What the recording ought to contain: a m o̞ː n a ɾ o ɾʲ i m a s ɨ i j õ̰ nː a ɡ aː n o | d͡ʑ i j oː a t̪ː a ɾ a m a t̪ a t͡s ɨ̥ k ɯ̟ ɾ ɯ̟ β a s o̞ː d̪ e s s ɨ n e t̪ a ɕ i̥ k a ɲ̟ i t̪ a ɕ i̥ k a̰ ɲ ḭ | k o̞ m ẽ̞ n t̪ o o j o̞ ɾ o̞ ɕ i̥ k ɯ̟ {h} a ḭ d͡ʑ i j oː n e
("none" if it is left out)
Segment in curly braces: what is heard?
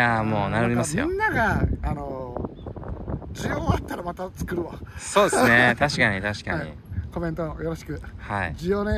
h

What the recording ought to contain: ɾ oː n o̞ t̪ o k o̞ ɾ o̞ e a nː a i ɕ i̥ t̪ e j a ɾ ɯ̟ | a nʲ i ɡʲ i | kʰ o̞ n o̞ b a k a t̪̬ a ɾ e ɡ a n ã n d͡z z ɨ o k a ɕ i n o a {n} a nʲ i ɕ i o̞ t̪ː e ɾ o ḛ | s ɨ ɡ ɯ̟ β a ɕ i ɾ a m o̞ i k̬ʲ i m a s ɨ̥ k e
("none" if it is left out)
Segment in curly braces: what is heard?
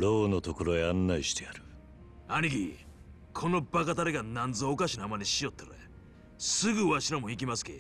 m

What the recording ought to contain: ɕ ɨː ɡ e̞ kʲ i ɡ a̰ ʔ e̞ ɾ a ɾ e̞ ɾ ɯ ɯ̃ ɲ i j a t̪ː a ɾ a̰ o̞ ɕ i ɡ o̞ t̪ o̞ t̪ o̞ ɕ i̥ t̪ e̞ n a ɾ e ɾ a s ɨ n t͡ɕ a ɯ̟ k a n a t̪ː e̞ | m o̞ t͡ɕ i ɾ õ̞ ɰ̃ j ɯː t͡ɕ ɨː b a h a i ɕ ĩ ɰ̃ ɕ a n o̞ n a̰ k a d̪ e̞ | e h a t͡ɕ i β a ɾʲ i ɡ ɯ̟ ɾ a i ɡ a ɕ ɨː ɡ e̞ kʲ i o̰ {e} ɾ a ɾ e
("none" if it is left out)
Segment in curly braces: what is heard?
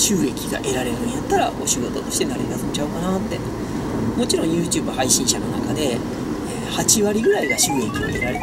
e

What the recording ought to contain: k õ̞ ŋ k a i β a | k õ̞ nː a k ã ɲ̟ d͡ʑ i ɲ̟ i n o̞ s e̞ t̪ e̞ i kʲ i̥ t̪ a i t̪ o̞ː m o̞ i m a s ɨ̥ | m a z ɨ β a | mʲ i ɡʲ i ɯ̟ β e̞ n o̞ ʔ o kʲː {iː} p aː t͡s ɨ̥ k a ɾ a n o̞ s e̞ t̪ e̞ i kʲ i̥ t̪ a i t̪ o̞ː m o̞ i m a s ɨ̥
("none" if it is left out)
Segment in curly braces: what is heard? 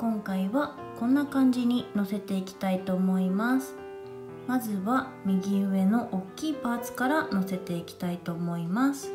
iː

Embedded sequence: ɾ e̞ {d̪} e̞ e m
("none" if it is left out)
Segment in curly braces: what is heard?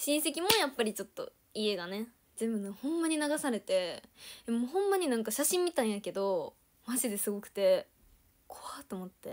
t̪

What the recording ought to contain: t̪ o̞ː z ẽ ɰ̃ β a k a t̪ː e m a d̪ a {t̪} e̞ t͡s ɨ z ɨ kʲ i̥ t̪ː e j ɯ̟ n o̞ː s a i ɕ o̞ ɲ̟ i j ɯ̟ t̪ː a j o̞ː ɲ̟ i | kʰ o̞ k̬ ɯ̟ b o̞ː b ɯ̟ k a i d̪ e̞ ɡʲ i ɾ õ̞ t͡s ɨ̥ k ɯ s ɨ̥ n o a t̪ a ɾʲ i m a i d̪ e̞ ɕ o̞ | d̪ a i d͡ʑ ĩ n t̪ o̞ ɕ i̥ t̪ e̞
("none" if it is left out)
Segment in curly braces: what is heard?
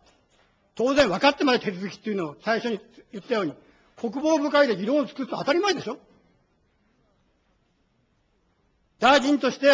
t̪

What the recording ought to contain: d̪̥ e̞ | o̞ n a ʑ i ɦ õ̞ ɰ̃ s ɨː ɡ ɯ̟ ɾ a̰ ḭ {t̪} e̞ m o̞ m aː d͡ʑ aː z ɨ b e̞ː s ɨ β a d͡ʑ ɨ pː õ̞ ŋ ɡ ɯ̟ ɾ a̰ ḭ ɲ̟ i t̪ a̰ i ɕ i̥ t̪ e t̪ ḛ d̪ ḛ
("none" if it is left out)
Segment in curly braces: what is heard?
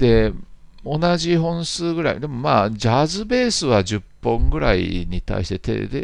d̪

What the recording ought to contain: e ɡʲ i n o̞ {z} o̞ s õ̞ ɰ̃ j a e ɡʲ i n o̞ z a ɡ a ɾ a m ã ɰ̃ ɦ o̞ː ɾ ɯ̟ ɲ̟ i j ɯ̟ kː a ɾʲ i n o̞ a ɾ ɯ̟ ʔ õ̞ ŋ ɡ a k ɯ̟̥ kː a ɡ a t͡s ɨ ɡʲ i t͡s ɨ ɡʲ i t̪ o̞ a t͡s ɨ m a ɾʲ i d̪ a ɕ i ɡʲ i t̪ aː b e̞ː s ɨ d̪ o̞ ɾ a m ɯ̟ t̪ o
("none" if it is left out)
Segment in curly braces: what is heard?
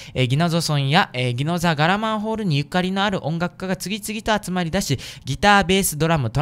z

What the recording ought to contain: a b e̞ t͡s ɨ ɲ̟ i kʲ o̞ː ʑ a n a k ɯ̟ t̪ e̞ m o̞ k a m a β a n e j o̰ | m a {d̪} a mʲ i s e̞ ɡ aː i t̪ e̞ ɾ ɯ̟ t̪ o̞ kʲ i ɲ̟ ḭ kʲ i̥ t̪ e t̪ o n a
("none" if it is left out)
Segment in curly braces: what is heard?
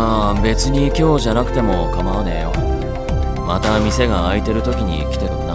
t̪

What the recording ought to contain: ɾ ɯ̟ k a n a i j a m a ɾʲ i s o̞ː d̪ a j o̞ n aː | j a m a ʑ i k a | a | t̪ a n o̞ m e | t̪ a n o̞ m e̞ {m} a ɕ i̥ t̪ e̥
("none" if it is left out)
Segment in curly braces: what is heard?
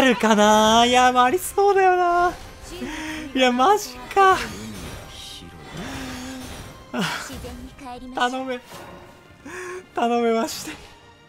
m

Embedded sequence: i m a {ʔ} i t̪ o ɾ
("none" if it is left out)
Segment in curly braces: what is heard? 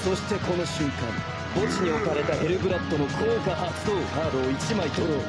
none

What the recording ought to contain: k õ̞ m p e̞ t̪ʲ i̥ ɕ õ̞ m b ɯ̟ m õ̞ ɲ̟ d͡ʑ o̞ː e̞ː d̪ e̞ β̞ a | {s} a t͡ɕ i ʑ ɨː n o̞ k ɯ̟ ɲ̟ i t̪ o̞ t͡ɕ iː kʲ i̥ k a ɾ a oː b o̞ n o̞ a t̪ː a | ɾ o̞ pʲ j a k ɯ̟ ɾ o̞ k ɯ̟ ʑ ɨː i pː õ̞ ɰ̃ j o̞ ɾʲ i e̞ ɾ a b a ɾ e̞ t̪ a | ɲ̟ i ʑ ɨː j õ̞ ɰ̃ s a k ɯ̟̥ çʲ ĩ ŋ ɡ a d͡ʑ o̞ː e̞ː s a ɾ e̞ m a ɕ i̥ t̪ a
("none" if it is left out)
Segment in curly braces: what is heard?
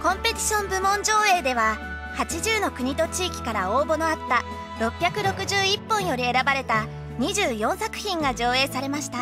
h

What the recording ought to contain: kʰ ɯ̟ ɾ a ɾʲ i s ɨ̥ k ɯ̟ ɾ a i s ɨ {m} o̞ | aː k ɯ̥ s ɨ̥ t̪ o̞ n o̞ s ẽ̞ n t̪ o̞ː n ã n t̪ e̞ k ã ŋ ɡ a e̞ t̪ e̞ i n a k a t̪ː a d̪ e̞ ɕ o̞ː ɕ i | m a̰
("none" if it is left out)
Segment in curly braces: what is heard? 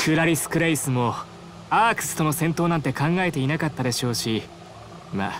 m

